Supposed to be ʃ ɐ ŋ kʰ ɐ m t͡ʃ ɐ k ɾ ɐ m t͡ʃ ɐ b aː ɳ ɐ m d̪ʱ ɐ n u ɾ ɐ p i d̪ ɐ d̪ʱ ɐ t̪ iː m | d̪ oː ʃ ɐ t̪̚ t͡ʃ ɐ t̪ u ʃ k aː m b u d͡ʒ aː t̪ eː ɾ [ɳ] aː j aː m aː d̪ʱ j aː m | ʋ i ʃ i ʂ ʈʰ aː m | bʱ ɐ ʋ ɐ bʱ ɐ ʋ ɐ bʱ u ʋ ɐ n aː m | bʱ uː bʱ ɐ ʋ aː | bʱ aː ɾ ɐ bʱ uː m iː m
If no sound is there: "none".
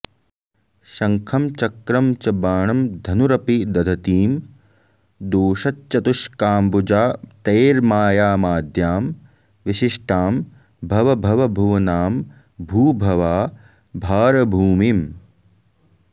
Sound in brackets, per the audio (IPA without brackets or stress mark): m